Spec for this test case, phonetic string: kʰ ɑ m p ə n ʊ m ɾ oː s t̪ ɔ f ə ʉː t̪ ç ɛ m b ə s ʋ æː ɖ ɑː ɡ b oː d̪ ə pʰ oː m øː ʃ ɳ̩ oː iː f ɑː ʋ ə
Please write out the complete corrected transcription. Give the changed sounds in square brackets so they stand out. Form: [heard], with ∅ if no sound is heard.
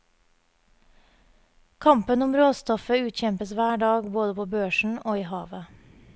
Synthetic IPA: kʰ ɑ m p ə n ʊ m ɾ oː s t̪ ɔ f ə ʉː t̪ ç ɛ m [p] ə s ʋ æː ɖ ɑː ɡ b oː d̪ ə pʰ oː [b] øː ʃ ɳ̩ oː iː [h] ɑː ʋ ə